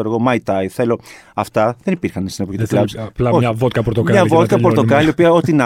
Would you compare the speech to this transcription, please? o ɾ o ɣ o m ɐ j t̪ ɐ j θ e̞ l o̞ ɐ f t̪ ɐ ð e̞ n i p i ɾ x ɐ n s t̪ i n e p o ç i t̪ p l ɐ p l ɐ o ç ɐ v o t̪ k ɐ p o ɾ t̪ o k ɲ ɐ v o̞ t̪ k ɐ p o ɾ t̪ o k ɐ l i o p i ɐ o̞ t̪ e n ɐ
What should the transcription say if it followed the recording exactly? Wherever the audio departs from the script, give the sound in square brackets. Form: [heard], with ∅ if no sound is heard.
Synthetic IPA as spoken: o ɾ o ɣ o m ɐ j t̪ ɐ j θ e̞ l o̞ ɐ f t̪ ɐ ð e̞ n i p i ɾ x ɐ n s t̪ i n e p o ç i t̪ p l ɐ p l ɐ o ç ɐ v o t̪ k ɐ p o ɾ t̪ o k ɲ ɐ v o̞ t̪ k ɐ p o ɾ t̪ o k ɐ l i o p i ɐ o̞ t̪ [i] n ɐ